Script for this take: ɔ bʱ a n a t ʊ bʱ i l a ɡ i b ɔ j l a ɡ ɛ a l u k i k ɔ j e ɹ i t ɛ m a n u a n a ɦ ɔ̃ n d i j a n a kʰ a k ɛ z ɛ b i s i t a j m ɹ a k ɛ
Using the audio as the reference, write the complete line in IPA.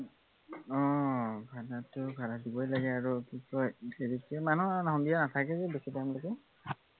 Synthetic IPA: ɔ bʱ a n a t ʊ bʱ a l a d i b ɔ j l a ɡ ɛ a ɹ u k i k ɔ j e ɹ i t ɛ m a n u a n a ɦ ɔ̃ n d i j a n a tʰ a k ɛ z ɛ b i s i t a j m l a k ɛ

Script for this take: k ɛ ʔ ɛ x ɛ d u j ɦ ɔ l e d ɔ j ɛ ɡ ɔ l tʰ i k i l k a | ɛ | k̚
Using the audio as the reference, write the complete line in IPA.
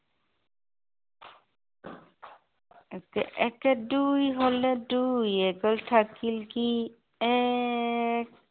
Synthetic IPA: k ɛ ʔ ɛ k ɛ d u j ɦ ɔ l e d u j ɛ ɡ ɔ l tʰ a k i l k i | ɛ | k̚

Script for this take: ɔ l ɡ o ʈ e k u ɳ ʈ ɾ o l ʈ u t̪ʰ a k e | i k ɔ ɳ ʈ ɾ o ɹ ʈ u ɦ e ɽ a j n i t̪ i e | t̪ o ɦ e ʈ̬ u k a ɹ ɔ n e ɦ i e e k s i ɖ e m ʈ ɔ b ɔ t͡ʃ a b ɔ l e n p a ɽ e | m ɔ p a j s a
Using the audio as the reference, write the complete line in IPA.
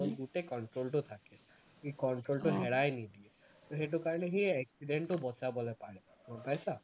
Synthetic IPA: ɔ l ɡ u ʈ e k ɔ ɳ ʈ ɾ o l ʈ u t̪ʰ a k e | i k ɔ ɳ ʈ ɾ o l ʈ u ɦ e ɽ a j n i d̪ i e | t̪ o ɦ e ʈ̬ u k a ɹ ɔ n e ɦ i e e k s i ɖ e ɳ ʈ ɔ b ɔ t͡ʃ a b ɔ l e p a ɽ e | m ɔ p a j s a

